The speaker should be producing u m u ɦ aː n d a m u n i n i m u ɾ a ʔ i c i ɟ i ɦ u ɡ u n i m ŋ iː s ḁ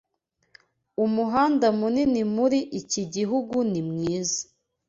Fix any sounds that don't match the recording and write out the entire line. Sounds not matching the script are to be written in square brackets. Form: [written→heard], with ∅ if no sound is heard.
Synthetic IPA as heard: u m u ɦ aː n d a m u n i n i m u ɾ [a→i] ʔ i c i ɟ i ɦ u ɡ u n i m ŋ iː [s→z] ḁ